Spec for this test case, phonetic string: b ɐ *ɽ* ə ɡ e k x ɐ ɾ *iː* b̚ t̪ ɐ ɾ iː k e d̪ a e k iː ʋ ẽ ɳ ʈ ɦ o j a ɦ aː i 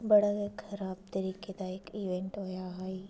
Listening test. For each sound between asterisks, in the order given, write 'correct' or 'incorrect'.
correct, incorrect: aː

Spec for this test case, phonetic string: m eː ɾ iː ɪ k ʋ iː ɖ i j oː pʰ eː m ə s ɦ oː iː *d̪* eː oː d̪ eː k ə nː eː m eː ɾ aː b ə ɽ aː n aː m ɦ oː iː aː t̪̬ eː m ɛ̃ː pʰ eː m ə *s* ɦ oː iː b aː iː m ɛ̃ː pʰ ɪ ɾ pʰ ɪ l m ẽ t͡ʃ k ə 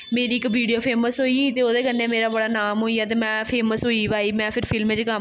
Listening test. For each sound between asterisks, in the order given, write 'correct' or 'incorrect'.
incorrect: t̪, correct

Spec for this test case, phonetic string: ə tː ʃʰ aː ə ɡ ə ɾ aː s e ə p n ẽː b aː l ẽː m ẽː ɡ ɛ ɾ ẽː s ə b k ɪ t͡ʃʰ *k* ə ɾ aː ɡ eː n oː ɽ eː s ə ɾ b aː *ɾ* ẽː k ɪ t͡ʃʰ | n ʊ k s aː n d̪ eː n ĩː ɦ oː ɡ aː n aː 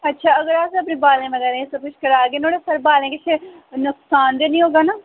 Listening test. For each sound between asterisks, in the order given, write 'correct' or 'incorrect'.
correct, incorrect: l

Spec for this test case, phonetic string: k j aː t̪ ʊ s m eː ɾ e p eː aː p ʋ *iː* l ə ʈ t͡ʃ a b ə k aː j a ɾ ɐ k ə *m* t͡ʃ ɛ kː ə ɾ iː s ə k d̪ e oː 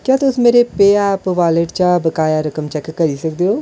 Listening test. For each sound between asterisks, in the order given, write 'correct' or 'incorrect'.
incorrect: aː, correct

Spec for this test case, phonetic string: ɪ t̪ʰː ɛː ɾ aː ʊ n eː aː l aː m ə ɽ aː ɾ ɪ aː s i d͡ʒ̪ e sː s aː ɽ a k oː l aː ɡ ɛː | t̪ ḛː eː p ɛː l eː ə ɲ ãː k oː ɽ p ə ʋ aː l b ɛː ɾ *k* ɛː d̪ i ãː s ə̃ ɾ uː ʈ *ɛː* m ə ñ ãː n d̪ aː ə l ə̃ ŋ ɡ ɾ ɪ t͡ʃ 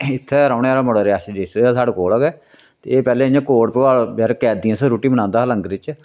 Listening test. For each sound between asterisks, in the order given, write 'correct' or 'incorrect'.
correct, incorrect: iː

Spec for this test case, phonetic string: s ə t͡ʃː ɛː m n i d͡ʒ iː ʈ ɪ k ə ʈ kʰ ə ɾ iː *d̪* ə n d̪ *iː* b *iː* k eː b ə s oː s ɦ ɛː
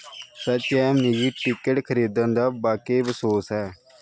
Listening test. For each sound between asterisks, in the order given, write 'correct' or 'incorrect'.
correct, incorrect: aː, incorrect: aː

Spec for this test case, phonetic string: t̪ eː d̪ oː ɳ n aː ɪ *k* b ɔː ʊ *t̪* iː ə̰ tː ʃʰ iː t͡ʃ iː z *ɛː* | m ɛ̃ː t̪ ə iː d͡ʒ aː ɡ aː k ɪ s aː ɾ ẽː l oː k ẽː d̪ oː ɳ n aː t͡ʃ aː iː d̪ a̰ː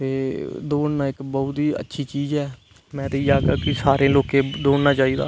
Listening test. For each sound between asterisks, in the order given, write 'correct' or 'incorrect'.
correct, correct, correct

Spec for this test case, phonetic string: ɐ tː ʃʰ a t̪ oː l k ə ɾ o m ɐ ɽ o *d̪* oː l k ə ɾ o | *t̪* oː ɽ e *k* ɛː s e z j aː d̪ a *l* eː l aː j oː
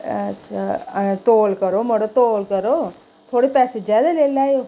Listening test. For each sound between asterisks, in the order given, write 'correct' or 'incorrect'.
incorrect: t̪, incorrect: t̪ʰ, incorrect: p, correct

